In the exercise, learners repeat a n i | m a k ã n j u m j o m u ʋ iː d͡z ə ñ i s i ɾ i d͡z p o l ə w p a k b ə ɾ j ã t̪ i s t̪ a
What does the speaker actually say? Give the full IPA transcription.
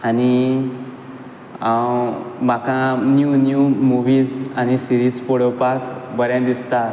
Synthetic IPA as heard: a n i | m a k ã n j u n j u m u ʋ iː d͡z a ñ i s i ɾ i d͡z p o ɽ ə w p a k b ə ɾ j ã d̪ i s t̪ a